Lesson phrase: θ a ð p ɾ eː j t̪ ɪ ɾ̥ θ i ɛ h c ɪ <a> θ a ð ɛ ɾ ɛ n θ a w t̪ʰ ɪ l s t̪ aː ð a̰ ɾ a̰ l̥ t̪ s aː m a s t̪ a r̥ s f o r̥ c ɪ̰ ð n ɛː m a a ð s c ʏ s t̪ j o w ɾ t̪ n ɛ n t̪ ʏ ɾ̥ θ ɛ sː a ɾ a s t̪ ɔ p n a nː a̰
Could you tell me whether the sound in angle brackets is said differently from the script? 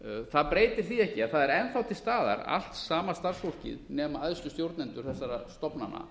no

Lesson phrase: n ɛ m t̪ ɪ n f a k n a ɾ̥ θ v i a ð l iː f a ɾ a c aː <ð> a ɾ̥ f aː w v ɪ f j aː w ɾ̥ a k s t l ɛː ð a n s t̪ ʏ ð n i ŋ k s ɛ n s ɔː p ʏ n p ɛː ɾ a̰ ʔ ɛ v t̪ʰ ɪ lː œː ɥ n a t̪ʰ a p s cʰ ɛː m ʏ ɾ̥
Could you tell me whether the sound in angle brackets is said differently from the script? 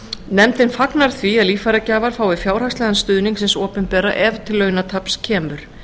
yes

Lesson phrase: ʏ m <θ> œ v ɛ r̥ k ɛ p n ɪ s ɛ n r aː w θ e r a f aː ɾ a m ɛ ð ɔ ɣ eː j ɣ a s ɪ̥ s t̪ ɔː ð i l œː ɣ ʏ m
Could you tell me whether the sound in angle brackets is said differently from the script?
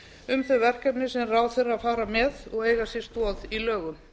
no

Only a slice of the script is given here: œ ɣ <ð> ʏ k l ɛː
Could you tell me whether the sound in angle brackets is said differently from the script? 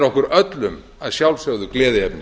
no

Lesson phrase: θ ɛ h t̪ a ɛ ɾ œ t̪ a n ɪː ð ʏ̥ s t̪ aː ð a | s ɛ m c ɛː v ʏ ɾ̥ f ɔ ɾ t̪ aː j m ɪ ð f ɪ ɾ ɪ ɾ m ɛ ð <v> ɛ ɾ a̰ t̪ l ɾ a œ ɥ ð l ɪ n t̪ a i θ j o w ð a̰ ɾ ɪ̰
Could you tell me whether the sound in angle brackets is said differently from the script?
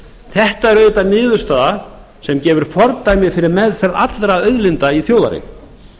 yes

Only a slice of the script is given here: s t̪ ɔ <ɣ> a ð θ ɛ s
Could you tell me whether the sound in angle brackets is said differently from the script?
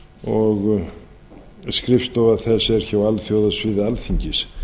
yes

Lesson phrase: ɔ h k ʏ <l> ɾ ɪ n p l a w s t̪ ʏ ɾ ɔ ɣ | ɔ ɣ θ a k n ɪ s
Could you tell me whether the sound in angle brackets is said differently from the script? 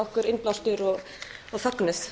yes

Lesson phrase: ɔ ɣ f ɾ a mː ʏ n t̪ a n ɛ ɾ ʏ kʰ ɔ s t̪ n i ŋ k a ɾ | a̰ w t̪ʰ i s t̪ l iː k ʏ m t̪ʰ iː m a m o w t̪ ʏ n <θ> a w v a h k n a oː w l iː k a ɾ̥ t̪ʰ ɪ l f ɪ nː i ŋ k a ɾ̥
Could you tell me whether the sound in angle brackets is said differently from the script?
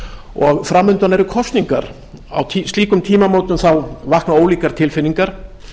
no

